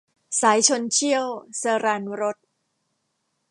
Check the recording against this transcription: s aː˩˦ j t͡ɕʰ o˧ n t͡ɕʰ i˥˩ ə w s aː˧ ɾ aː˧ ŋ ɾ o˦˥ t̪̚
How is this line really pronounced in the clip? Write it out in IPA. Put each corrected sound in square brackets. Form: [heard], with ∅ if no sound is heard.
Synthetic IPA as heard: s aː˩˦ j t͡ɕʰ o˧ n t͡ɕʰ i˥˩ ə w s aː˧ ɾ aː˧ [n] ɾ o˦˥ t̪̚